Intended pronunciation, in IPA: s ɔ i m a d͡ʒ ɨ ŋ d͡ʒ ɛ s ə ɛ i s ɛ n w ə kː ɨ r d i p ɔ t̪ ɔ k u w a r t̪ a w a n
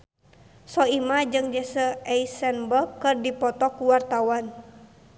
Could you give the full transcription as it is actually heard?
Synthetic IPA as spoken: s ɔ i m a d͡ʒ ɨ ŋ d͡ʒ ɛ s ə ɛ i s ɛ n b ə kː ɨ r d i p ɔ t̪ ɔ k u w a r t̪ a w a n